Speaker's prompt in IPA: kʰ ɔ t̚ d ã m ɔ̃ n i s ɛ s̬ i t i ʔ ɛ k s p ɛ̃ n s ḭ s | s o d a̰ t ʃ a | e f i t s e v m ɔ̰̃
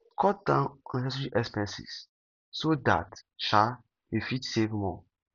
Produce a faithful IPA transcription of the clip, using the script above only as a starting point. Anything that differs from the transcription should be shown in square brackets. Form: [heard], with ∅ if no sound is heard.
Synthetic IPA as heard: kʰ ɔ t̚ d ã [n] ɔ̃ n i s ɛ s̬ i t i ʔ ɛ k s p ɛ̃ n s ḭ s | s o d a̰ t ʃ a | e f i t s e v m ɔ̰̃